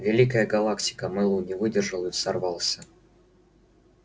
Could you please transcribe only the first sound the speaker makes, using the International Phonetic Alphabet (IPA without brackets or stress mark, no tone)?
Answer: vʲ